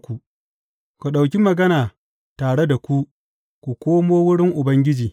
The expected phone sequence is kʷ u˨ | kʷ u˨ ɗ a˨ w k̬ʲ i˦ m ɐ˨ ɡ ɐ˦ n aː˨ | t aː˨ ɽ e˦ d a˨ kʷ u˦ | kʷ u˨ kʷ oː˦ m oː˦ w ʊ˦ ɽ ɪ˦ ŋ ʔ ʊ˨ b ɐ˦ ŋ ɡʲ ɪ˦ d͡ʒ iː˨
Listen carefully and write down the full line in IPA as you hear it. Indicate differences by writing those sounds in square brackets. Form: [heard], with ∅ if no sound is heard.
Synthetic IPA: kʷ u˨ | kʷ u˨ ɗ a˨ w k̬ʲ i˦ m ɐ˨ ɡ ɐ˦ n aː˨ | t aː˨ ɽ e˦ d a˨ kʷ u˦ | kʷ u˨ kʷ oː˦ m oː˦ w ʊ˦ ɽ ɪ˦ ŋ ʔ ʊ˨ b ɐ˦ ŋ ɡʲ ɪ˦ d͡ʒ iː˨